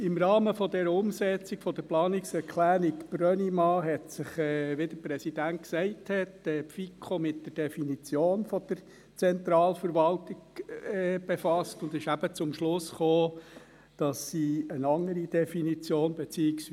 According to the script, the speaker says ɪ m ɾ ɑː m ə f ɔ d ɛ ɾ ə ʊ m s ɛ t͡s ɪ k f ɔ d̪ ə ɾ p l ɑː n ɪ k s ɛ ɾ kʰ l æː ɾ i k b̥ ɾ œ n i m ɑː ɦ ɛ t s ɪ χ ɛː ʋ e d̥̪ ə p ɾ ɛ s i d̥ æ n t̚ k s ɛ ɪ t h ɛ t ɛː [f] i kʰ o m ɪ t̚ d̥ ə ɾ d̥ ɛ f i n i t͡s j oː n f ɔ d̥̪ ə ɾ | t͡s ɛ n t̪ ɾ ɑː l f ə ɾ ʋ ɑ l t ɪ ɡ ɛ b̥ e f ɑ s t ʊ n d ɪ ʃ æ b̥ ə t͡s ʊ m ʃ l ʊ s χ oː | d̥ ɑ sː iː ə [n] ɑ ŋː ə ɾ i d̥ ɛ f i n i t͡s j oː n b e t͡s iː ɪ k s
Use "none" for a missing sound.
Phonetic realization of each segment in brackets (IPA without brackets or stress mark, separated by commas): f, n